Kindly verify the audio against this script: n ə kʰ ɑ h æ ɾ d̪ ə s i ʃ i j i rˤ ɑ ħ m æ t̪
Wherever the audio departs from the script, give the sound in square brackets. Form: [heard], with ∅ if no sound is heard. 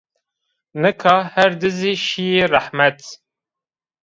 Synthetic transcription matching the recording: n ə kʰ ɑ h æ ɾ d̪ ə [z] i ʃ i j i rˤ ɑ ħ m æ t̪